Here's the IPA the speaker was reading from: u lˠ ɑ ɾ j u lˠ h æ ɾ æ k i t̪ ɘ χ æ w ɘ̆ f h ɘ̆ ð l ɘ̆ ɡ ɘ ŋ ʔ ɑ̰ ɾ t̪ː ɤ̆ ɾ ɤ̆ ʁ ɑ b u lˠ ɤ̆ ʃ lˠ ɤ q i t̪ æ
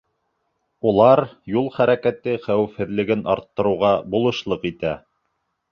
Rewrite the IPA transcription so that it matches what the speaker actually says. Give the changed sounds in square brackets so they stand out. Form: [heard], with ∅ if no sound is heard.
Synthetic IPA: u lˠ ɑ ɾ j u lˠ [χ] æ ɾ æ k [æ] t̪ ɘ χ æ w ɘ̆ f h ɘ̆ ð l ɘ̆ ɡ ɘ [n] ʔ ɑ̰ ɾ t̪ː ɤ̆ ɾ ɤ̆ ʁ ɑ b u lˠ ɤ̆ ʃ lˠ ɤ q i t̪ æ